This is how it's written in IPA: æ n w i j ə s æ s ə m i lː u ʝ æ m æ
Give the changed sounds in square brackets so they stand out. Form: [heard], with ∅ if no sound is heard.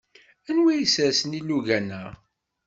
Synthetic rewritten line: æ n w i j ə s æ s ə [n] i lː u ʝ æ [n] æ